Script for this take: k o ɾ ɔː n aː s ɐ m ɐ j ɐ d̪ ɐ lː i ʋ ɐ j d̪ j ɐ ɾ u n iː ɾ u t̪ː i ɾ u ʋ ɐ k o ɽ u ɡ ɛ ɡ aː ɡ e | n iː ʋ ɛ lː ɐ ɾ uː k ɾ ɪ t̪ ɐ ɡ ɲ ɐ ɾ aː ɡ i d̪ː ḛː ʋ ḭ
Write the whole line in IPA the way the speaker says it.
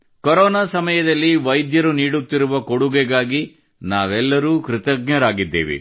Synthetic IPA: k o ɾ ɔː n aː s ɐ m ɐ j ɐ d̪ ɐ lː i ʋ ɐ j d̪ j ɐ ɾ u n iː ɽ u t̪ː i ɾ u ʋ ɐ k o ɽ u ɡ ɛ ɡ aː ɡ i | n aː ʋ ɛ lː ɐ ɾ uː k ɾ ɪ t̪ ɐ ɡ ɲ ɐ ɾ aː ɡ i d̪ː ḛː ʋ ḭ